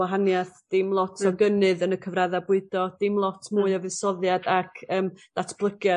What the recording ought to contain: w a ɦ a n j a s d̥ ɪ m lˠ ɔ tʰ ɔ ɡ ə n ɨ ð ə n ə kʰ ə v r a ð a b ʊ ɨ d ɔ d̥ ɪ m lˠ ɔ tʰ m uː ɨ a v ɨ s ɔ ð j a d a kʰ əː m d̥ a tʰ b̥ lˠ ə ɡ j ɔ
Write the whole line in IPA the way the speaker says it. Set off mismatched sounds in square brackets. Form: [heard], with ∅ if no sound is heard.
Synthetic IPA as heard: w a ɦ a n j a [θ] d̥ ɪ m lˠ ɔ tʰ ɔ ɡ ə n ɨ ð ə n ə kʰ ə v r a ð a b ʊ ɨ d ɔ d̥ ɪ m lˠ ɔ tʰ m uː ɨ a v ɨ s ɔ ð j a d a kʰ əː m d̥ a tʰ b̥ lˠ ə ɡ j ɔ